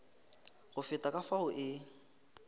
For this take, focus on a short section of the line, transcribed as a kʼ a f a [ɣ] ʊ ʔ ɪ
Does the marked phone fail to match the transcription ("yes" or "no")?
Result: yes